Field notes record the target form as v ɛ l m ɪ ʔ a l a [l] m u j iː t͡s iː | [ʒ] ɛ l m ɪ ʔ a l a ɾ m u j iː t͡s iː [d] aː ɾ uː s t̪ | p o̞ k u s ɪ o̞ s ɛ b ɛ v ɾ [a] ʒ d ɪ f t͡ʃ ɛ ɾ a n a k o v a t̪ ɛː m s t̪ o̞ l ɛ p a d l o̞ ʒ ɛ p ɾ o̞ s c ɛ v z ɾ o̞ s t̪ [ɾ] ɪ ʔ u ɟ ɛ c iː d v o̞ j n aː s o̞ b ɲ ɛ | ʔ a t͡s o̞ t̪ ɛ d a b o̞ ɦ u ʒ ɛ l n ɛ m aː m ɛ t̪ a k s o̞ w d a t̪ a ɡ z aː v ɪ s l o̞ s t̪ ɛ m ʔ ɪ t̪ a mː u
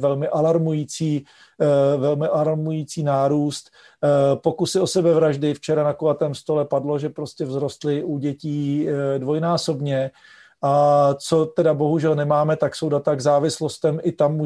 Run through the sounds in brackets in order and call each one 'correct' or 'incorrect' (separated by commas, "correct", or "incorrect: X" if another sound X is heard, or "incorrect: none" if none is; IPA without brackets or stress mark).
incorrect: ɾ, incorrect: v, incorrect: n, correct, incorrect: l